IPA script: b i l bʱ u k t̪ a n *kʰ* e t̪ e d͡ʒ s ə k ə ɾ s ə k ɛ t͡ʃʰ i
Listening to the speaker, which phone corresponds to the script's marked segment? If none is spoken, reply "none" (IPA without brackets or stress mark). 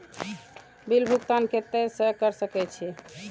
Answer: k